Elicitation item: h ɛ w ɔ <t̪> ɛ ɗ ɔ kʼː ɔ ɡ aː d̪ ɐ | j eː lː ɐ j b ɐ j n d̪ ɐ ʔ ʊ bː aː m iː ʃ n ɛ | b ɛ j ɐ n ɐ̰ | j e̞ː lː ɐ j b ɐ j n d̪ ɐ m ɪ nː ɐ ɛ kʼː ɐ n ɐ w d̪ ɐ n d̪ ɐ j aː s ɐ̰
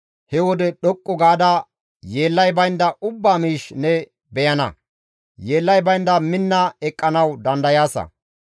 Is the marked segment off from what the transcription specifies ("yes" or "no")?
yes